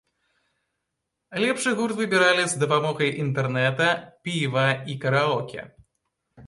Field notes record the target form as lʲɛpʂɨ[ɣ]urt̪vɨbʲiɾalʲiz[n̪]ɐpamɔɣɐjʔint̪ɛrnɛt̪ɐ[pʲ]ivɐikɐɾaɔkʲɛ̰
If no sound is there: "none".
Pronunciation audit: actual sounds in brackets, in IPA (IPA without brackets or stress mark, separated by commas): ɣ, d̪, pʲ